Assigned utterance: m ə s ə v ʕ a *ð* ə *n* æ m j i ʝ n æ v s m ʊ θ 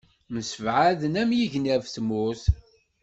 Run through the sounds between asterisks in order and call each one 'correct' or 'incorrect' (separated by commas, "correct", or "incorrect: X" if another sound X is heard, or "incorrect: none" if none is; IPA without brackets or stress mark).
correct, correct